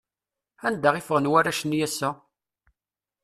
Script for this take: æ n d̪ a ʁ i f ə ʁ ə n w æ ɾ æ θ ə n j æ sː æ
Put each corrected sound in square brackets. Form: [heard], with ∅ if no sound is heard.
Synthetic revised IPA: æ n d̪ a ʁ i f ə ʁ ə n w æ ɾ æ [ʃ] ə n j æ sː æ